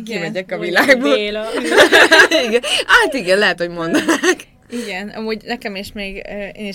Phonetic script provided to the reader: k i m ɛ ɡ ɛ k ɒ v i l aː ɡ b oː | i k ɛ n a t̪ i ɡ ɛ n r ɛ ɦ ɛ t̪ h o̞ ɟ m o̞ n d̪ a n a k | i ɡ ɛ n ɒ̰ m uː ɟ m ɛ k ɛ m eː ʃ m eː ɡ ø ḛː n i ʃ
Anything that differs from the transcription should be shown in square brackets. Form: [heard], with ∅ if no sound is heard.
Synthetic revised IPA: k i m ɛ [ɟ] ɛ k ɒ v i l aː ɡ b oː | i [ɡ] ɛ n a t̪ i ɡ ɛ n [l] ɛ ɦ ɛ t̪ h o̞ ɟ m o̞ n d̪ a n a k | i ɡ ɛ n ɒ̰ m uː ɟ [n] ɛ k ɛ m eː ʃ m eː ɡ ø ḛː n i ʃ